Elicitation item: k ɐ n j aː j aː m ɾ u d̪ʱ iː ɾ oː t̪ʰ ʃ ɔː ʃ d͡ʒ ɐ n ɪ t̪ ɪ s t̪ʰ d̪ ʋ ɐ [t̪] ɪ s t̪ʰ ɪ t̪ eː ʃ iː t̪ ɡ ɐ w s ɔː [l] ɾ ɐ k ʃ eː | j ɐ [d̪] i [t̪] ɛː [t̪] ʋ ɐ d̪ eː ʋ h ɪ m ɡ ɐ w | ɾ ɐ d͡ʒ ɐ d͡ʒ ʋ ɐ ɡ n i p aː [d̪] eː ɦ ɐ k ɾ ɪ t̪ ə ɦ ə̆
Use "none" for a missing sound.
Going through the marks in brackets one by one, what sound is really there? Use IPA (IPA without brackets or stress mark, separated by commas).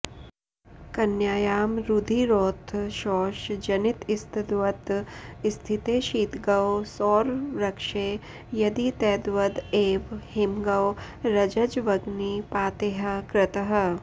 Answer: t̪, ɾ, d̪, t̪, d̪, t̪